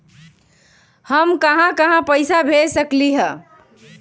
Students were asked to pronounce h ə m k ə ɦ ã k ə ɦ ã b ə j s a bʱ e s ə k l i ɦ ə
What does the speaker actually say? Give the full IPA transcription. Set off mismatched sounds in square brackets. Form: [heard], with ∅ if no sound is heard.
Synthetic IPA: h ə m k ə ɦ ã k ə ɦ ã [p] ə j s a bʱ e s ə k l i ɦ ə